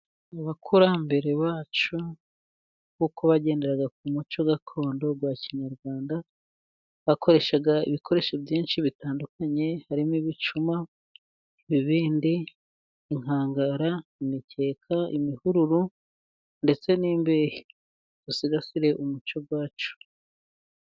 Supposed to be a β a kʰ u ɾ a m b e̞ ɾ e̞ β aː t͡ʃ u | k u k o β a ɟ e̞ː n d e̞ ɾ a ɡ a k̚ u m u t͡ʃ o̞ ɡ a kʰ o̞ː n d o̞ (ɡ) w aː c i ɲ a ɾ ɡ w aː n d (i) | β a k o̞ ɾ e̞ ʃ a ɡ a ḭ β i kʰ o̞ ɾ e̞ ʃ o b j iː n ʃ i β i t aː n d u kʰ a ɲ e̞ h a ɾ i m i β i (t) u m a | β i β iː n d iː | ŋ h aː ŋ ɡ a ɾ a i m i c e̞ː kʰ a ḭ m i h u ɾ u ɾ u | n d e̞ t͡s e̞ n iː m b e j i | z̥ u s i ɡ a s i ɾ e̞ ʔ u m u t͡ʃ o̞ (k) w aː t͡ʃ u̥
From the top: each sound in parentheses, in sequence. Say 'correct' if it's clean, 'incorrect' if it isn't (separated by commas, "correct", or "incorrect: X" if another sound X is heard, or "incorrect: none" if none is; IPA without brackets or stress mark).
correct, incorrect: a, incorrect: t͡ʃ, incorrect: ɡ